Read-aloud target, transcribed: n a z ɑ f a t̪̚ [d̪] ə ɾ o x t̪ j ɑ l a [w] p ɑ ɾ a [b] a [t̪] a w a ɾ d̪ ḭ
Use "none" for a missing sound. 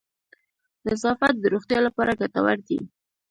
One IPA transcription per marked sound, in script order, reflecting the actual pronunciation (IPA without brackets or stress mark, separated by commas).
d̪, none, ɡ, t̪